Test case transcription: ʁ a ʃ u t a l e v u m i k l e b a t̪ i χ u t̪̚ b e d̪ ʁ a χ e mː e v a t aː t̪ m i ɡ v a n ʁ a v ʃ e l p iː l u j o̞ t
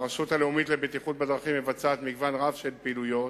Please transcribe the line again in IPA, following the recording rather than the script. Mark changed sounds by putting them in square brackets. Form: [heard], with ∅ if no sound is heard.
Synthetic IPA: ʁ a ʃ u t a l e [∅] u m i [t] l e b [e] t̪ i χ u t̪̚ b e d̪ ʁ a χ [i] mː e v a [t͡s] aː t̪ m i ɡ v a n ʁ a v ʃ e l p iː l u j o̞ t